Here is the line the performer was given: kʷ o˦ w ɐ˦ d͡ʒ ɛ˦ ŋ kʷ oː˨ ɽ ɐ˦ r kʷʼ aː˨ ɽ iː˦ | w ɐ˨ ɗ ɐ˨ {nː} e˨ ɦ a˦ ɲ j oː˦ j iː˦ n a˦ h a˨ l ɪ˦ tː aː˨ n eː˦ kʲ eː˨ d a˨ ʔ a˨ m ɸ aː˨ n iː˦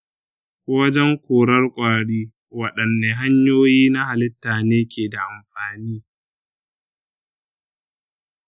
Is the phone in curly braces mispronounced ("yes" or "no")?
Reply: no